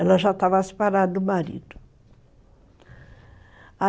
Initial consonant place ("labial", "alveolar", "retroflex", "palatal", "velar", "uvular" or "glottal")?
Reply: alveolar